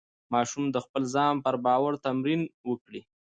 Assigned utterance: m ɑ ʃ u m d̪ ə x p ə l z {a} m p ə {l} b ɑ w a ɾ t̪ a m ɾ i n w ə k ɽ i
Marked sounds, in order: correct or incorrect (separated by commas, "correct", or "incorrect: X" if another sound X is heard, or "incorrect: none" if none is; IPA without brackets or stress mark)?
incorrect: ɑ, incorrect: ɾ